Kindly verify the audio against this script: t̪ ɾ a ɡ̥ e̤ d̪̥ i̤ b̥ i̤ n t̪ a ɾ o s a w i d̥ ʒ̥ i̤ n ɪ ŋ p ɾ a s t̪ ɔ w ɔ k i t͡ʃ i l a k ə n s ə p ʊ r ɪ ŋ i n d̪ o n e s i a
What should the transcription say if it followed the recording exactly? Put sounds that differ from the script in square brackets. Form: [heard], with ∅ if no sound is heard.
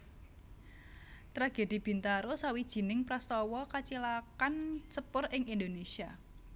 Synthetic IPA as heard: t̪ ɾ a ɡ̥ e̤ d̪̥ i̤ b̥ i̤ n t̪ a ɾ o s a w i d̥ ʒ̥ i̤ n ɪ ŋ p ɾ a s t̪ ɔ w ɔ k [a] t͡ʃ i l a k [a] n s ə p ʊ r ɪ ŋ i n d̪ o n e s i a